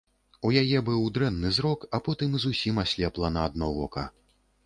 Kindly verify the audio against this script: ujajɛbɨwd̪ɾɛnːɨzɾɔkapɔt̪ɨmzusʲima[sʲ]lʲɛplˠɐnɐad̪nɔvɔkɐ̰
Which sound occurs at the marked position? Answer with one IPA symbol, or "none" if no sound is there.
sʲ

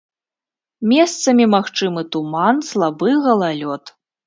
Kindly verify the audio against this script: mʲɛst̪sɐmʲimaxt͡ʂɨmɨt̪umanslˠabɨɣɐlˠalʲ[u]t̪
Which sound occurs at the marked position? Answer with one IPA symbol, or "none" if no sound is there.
ɔ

